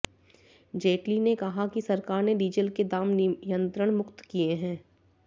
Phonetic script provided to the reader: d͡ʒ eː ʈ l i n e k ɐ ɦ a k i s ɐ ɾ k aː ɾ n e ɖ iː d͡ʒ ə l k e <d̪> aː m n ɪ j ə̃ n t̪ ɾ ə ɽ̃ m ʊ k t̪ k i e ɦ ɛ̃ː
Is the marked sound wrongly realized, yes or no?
no